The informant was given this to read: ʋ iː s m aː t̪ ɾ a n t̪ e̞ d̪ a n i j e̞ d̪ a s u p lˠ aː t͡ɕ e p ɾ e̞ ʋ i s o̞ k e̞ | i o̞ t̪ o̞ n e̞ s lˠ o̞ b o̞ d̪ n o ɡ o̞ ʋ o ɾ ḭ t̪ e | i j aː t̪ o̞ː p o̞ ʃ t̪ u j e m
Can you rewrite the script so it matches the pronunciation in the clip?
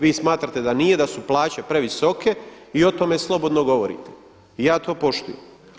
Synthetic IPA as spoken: ʋ iː s m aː t̪ ɾ a t̪ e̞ d̪ a n i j e̞ d̪ a s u p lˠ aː t͡ɕ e p ɾ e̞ ʋ i s o̞ k e̞ | i o̞ t̪ o̞ m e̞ s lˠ o̞ b o̞ d̪ n o ɡ o̞ ʋ o ɾ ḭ t̪ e | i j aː t̪ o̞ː p o̞ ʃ t̪ u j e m